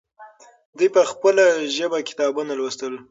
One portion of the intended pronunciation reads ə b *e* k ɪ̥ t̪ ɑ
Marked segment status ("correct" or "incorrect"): incorrect